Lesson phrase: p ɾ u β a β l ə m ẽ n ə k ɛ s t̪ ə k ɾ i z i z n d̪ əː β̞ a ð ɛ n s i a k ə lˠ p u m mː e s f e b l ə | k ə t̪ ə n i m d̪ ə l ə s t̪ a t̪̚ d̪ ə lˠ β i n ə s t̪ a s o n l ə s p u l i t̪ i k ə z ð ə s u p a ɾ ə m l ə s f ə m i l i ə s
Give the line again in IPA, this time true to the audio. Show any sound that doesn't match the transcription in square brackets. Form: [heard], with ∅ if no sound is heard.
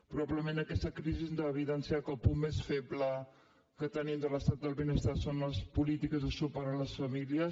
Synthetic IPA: p ɾ u β a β l ə m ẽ n ə k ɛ s t̪ ə k ɾ i z i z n d̪ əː β̞ [i] ð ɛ n s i a k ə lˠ p u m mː e s f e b l ə | k ə t̪ ə n i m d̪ ə l ə s t̪ a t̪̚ d̪ ə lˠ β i n ə s t̪ a s o n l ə s p u l i t̪ i k ə z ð ə s u p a ɾ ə [n] l ə s f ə m i l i ə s